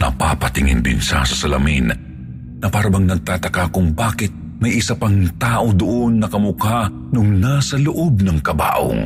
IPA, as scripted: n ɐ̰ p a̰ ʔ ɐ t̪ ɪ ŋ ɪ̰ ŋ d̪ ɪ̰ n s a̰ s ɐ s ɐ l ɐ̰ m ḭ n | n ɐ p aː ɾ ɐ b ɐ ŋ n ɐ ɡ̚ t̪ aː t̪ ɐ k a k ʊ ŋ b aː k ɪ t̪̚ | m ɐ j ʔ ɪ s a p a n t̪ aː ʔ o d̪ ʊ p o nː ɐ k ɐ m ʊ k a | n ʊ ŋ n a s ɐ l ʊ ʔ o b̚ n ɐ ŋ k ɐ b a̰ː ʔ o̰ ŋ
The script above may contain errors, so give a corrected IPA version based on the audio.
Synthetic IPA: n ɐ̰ p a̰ p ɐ t̪ ɪ ŋ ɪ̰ n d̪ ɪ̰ n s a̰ s ɐ s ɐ l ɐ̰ m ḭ n | n ɐ p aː ɾ ɐ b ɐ ŋ n ɐ ɡ̚ t̪ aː t̪ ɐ k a k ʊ ŋ b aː k ɪ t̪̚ | m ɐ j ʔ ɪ s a p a ŋ t̪ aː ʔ o d̪ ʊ ʔ o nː ɐ k ɐ m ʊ k a | n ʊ ŋ n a s ɐ l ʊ ʔ o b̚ n ɐ ŋ k ɐ b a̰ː ʔ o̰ ŋ